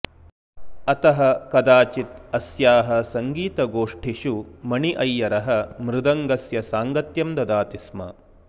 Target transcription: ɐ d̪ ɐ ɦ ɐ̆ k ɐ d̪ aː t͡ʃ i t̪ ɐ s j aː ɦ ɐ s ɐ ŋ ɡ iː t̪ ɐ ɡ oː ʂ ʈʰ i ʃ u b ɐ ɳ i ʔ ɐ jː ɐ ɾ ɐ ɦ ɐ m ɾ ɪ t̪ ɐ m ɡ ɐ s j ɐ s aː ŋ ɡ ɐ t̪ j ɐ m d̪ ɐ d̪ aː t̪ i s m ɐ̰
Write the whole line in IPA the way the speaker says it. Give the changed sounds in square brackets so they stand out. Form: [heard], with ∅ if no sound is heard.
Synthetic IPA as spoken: ɐ [t̪] ɐ ɦ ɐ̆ k ɐ d̪ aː t͡ʃ i t̪ ɐ s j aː ɦ ɐ s ɐ ŋ ɡ iː t̪ ɐ ɡ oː ʂ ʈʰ i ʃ u [m] ɐ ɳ i ʔ ɐ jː ɐ ɾ ɐ ɦ ɐ m ɾ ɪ [d̪] ɐ [ŋ] ɡ ɐ s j ɐ s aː ŋ ɡ ɐ t̪ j ɐ m d̪ ɐ d̪ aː t̪ i s m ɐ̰